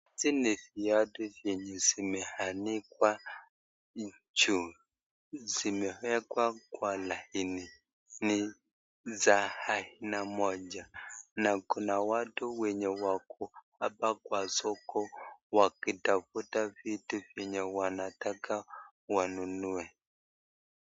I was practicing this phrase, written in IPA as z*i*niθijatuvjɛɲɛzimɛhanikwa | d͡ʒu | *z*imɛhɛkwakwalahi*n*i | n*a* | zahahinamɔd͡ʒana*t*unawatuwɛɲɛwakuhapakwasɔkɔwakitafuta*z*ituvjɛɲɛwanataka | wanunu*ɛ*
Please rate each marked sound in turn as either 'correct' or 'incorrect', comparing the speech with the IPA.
correct, correct, correct, incorrect, incorrect, incorrect, correct

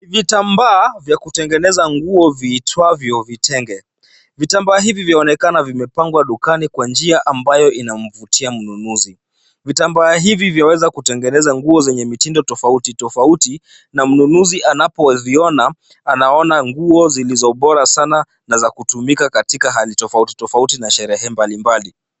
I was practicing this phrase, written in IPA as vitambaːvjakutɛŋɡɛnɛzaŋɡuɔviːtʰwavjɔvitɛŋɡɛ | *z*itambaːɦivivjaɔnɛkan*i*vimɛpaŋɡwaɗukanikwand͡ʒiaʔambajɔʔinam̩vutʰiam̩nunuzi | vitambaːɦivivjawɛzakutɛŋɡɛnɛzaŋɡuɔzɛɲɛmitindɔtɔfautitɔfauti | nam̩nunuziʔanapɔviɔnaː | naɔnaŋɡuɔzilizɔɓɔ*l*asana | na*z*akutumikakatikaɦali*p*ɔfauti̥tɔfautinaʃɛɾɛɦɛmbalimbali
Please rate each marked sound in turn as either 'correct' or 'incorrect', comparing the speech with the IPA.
incorrect, incorrect, incorrect, correct, incorrect

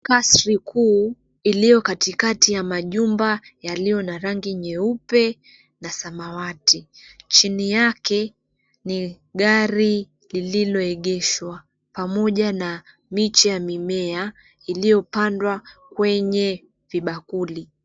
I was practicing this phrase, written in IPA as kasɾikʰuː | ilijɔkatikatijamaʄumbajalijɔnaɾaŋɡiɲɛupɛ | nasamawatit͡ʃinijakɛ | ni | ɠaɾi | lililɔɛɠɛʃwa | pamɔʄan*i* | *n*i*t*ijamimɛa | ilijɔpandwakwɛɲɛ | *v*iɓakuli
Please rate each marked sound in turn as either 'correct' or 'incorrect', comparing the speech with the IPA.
incorrect, incorrect, incorrect, correct

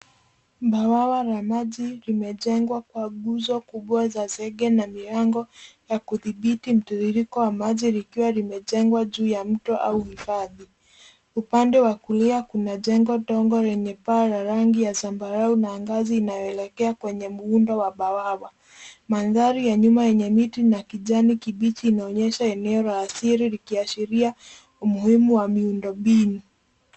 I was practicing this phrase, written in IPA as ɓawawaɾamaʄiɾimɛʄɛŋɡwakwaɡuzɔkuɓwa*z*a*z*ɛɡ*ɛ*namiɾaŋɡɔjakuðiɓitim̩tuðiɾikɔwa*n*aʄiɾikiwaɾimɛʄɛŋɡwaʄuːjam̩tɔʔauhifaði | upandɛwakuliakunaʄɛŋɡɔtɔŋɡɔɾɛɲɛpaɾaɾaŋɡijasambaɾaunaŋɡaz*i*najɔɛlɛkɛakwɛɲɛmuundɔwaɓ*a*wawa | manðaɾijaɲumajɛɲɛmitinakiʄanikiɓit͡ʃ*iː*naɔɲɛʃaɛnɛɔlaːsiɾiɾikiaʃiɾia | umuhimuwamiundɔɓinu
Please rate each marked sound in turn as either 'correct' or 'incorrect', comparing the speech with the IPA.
correct, correct, correct, incorrect, incorrect, correct, correct

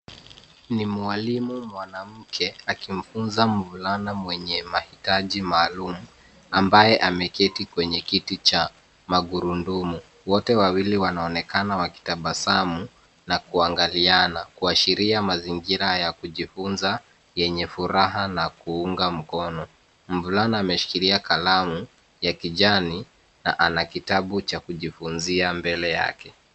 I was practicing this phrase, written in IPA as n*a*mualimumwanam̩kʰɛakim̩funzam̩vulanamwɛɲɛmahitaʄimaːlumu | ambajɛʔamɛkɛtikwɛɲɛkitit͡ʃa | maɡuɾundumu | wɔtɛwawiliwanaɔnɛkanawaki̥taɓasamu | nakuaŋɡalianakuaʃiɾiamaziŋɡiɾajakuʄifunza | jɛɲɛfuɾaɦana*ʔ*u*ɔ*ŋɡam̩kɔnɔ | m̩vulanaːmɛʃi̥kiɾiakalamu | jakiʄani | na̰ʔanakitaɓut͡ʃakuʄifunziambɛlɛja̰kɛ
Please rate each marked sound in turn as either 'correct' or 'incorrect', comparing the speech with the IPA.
incorrect, incorrect, incorrect

